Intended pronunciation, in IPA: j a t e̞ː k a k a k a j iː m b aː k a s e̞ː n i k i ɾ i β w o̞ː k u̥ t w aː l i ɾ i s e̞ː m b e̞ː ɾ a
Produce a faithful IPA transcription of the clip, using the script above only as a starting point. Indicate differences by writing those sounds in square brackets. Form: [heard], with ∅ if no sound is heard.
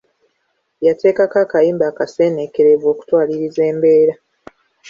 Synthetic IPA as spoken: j a t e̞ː k a k a k a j iː m b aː k a s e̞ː n [e] k [e] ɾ [e] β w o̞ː k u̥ t w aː l i ɾ i [z] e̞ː m b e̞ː ɾ a